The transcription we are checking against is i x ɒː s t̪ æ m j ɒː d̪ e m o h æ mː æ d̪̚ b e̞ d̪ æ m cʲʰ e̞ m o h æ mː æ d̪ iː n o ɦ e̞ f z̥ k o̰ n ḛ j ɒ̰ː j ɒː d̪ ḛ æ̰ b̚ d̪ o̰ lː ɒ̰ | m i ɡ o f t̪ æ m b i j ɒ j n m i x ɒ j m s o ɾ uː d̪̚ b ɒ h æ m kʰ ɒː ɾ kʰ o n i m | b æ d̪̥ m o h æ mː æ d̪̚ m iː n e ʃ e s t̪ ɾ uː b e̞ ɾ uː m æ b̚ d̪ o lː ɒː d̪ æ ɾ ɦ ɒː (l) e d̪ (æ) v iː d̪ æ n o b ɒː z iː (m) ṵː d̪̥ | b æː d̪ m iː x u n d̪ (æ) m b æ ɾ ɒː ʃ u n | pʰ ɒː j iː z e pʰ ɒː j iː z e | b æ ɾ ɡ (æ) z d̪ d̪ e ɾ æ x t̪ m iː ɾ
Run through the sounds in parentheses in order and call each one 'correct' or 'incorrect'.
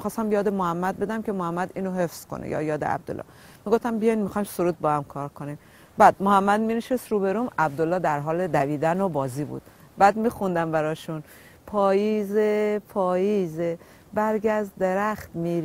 correct, correct, incorrect: b, correct, correct

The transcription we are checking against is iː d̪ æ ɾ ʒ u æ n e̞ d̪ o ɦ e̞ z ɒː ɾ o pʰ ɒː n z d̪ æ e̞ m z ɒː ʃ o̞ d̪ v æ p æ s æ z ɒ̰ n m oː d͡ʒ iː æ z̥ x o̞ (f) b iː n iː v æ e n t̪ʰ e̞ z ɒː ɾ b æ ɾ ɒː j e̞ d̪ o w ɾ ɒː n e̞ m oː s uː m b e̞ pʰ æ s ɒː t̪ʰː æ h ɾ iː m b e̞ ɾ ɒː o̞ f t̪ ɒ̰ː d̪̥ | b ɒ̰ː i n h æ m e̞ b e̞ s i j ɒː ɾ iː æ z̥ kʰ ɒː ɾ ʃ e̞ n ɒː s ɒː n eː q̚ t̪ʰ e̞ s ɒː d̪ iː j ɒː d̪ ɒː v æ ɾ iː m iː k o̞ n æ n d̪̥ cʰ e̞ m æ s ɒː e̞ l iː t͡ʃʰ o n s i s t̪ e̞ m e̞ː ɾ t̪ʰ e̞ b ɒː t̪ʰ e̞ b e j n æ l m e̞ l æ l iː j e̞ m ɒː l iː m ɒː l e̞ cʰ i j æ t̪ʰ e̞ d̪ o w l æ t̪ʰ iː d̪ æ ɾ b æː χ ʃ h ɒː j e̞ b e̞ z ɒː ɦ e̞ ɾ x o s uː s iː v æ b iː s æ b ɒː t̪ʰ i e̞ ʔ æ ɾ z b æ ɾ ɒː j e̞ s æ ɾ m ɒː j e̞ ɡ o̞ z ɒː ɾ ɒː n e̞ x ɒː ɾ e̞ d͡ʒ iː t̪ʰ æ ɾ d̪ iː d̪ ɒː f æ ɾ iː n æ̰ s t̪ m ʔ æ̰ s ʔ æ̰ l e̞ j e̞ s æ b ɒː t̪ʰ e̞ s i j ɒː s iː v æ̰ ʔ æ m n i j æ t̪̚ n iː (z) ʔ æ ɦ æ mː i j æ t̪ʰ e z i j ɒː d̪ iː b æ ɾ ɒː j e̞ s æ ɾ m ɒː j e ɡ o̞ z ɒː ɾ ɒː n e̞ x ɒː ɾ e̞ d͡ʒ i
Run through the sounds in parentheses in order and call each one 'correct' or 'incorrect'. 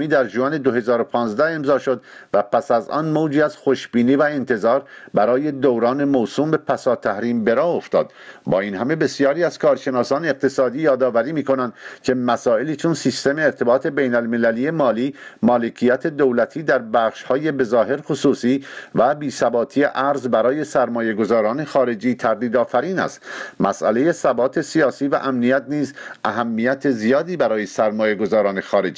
incorrect: ʃ, correct

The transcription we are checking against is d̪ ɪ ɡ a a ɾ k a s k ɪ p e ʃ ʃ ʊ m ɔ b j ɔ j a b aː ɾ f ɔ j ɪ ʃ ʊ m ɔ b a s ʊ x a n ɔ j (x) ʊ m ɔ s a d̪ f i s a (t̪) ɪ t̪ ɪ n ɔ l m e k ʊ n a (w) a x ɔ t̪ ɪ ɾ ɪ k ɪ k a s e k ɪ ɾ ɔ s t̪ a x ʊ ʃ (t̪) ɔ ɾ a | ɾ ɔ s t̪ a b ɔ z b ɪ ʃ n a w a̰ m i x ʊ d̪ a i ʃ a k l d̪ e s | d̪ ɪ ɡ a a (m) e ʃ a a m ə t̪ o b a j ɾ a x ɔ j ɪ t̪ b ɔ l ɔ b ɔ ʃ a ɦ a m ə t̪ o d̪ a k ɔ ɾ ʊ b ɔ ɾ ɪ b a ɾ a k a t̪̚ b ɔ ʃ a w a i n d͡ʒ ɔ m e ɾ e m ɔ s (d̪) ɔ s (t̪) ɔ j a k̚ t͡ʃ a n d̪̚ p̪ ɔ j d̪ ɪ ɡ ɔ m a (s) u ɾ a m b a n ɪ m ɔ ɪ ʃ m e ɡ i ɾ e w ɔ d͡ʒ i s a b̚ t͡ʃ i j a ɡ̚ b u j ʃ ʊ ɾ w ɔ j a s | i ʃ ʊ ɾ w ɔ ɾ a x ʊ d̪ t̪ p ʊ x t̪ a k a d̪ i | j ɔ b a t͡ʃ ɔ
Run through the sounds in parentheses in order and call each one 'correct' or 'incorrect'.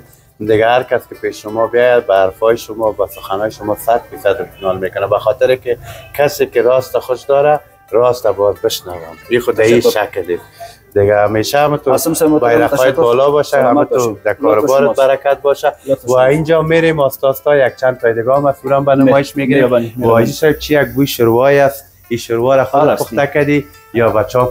incorrect: ʃ, incorrect: d̪, incorrect: b, incorrect: d̪, correct, incorrect: t̪, correct, correct

